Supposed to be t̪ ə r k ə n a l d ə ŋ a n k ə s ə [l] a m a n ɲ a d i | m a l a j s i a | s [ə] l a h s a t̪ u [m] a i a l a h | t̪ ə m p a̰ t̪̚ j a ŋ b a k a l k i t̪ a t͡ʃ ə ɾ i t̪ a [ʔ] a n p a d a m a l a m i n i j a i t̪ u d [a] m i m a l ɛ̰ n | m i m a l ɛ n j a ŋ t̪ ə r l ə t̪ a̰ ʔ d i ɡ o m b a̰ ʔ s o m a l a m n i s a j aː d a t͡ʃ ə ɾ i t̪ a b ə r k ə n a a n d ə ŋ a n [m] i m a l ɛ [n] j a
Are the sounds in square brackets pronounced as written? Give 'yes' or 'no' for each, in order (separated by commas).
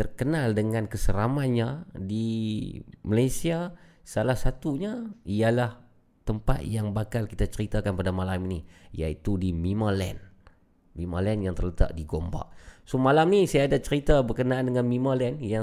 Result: no, no, no, no, no, yes, yes